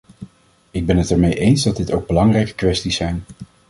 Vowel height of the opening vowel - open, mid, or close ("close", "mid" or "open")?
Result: close